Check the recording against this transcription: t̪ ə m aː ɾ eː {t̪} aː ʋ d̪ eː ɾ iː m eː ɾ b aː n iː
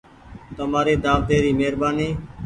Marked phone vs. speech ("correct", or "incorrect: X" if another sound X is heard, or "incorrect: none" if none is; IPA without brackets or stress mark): incorrect: d̪